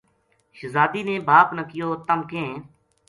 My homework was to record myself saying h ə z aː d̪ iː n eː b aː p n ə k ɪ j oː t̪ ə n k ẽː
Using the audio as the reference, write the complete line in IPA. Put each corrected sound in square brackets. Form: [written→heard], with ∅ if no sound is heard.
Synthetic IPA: [h→ʃ] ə z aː d̪ iː n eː b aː p n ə k ɪ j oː t̪ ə [n→m] k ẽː